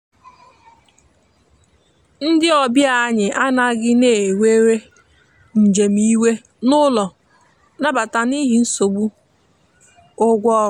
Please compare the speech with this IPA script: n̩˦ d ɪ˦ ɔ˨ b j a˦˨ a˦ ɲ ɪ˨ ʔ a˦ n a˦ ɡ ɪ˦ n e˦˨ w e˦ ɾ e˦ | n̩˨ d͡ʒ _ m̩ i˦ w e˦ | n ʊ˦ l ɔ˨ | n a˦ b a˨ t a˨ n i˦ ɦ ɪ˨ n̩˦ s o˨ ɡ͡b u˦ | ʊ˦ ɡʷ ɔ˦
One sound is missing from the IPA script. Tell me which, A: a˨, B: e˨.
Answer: B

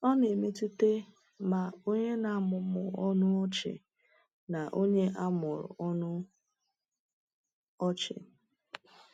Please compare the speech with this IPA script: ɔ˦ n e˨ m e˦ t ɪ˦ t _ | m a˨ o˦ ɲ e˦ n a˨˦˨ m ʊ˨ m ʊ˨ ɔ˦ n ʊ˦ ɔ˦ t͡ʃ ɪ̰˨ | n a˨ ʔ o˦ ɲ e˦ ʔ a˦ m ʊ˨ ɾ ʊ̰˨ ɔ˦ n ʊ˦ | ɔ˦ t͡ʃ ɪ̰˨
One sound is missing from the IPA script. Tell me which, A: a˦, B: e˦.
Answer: B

